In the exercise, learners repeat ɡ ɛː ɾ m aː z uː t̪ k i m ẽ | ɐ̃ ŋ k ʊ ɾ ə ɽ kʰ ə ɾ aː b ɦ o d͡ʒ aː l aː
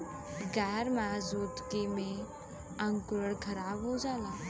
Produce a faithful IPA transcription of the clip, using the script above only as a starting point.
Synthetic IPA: ɡ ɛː ɾ m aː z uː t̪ k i m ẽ | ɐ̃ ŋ k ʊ ɾ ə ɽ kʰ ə ɾ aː b ɦ o d͡ʒ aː l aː